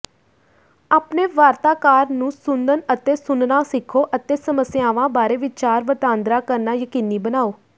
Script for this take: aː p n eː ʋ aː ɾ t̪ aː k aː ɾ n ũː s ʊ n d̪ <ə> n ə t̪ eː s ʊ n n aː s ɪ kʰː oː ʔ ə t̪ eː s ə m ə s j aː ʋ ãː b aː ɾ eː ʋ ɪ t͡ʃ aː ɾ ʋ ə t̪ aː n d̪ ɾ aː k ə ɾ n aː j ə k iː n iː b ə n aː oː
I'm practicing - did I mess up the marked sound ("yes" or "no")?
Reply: no